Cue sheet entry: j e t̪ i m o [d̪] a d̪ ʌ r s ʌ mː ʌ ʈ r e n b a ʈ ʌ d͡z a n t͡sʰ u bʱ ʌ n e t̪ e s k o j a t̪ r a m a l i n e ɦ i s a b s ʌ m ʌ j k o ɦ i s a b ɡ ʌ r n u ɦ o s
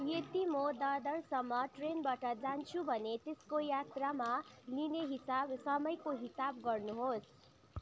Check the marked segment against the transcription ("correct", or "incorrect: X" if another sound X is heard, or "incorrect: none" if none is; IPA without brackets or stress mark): correct